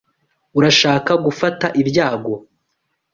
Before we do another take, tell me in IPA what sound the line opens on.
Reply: u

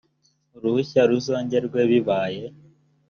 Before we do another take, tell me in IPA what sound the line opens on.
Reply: ɾ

